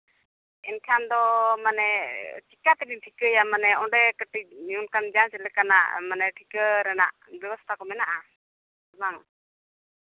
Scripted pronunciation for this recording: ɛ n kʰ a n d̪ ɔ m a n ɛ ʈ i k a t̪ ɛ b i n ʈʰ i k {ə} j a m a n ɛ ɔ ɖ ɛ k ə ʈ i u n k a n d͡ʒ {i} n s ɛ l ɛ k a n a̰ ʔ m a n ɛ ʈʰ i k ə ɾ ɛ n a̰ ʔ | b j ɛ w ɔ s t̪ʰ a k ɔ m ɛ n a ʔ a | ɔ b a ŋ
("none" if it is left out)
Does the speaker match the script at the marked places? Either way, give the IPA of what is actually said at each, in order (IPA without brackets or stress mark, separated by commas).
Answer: ə, a